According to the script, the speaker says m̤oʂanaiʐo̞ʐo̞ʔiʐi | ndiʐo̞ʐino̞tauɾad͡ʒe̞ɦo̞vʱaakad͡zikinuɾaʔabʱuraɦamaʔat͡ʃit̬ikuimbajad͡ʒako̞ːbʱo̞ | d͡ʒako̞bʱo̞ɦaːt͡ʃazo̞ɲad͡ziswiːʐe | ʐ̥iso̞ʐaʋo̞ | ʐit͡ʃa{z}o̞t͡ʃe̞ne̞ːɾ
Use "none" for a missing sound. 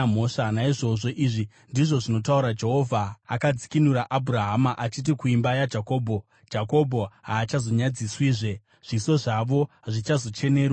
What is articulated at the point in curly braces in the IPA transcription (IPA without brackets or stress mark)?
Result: z